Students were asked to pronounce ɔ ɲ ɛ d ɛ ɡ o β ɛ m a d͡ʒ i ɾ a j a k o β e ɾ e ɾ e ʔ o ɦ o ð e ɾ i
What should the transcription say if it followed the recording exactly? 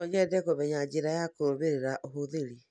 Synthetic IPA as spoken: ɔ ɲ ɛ d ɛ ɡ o β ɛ ɲ a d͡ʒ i ɾ a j a k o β e ɾ e ɾ a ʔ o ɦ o ð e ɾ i